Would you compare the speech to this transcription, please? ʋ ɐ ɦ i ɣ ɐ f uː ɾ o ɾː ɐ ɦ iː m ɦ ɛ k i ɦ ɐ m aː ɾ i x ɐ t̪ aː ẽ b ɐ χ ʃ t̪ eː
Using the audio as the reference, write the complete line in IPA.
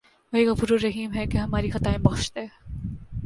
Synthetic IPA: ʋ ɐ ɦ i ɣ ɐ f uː ɾ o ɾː ɐ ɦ iː m ɦ ɛ k e ɦ ɐ m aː ɾ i x ɐ t̪ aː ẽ b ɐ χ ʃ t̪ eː